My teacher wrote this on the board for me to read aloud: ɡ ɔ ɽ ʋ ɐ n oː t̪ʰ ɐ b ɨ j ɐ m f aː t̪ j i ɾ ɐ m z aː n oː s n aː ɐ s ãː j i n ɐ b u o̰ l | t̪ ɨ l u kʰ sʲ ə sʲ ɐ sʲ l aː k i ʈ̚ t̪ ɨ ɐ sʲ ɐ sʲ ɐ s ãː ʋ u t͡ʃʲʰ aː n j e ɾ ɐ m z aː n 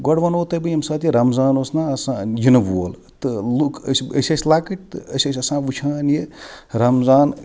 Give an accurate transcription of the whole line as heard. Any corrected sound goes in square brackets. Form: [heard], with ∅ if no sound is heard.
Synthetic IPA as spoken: ɡ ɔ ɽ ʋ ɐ n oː [t̪] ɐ b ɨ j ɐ m [s] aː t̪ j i ɾ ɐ m z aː n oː s n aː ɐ s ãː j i n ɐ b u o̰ l | t̪ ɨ l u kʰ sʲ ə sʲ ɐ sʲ l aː k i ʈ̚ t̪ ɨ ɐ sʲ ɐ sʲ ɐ s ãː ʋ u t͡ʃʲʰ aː n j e ɾ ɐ m z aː n